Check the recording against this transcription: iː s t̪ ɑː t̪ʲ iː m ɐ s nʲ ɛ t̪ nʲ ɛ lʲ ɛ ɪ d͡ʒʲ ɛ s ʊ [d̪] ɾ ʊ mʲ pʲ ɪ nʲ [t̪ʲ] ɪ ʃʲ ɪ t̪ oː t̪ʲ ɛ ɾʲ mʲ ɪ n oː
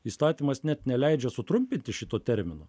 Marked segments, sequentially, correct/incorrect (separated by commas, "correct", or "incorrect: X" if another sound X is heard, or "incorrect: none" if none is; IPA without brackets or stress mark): incorrect: t̪, correct